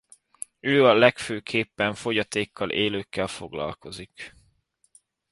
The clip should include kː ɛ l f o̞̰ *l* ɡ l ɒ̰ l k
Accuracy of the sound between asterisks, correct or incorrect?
incorrect